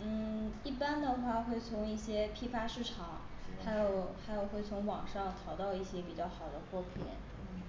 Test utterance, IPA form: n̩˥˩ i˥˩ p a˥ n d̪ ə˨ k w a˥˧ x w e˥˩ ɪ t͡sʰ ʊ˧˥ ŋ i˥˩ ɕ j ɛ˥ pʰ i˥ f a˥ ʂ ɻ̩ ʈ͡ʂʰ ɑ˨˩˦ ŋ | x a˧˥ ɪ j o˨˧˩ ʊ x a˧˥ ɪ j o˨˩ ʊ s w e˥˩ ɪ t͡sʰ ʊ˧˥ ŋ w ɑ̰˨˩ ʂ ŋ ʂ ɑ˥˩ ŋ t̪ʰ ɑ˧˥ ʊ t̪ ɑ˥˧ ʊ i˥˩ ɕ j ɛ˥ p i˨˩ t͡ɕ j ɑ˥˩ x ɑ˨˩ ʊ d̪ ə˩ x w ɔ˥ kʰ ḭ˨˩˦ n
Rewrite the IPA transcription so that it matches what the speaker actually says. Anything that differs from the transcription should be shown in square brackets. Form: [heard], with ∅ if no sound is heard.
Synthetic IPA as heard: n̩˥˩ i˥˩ p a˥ n d̪ ə˨ [x] w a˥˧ x w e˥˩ ɪ t͡sʰ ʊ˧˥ ŋ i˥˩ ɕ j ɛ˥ pʰ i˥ f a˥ ʂ ɻ̩ ʈ͡ʂʰ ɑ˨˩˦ ŋ | x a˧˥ ɪ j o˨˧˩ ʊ x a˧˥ ɪ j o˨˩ ʊ [x] w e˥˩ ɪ t͡sʰ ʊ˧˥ ŋ w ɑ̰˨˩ [∅] ŋ ʂ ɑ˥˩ ŋ t̪ʰ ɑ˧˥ ʊ t̪ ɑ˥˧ ʊ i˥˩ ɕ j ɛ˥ p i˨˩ t͡ɕ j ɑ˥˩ x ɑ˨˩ ʊ d̪ [ə˦] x w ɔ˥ [pʰ] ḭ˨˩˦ n

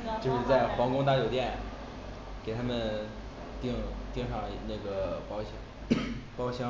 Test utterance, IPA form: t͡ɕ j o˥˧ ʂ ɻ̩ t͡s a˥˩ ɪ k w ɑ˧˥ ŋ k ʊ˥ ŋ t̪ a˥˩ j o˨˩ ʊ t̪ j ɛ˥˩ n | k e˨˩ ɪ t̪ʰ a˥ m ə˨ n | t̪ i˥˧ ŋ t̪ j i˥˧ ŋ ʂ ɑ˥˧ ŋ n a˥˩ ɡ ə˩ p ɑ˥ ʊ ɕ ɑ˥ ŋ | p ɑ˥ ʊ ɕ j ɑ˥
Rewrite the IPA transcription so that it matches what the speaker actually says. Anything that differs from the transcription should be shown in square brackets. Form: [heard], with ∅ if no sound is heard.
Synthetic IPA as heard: t͡ɕ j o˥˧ ʂ ɻ̩ t͡s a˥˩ ɪ [x] w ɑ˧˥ ŋ k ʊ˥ ŋ t̪ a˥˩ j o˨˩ ʊ t̪ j ɛ˥˩ n | k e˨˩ ɪ t̪ʰ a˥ m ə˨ n | t̪ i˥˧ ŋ t̪ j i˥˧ ŋ ʂ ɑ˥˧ ŋ n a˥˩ ɡ ə˩ p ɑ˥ ʊ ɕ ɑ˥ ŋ | p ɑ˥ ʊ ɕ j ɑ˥

